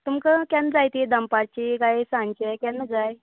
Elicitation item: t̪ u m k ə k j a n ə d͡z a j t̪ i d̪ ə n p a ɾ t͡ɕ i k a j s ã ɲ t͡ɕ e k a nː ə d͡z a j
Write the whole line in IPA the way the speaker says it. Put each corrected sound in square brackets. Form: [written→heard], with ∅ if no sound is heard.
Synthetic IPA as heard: t̪ u m k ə k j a n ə d͡z a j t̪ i d̪ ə [n→m] p a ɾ t͡ɕ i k a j s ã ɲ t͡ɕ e k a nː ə d͡z a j